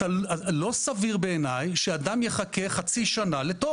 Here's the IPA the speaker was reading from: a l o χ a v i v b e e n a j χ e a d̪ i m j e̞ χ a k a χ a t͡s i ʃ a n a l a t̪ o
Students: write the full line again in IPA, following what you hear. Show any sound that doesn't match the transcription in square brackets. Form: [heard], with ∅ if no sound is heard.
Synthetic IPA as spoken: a l o [s] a v i [ʁ] b e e n a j [ʃ] e a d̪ [a] m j e̞ χ a k [e] χ a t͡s i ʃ a n a l [e] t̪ o